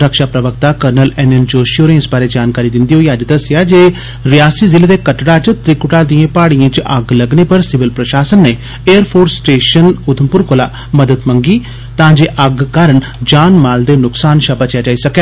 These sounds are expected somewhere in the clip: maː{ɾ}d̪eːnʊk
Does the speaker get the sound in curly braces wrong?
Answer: yes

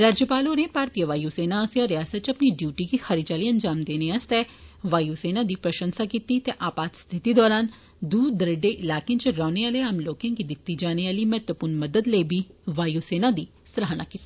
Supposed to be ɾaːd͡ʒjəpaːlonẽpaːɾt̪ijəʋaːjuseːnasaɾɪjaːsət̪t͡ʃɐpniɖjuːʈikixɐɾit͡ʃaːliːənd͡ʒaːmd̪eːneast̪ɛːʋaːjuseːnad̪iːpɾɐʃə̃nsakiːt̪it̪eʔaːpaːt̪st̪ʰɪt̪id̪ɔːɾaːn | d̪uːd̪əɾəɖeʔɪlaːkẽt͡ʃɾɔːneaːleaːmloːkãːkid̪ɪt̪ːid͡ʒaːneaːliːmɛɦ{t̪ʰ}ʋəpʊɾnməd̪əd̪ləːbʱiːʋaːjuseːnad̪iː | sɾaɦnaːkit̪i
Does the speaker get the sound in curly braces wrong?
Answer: yes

